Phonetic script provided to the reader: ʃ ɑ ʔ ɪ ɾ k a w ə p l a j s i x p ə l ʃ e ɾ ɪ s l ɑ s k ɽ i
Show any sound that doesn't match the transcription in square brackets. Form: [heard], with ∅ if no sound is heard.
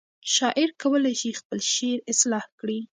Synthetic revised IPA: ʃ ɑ ʔ ɪ ɾ k a w ə [∅] l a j [ʃ] i x p ə l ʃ e ɾ ɪ s l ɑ [h] k ɽ i